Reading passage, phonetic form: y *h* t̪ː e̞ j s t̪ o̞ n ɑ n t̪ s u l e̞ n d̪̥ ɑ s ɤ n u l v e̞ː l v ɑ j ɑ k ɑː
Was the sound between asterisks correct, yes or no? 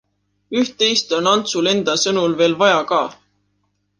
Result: yes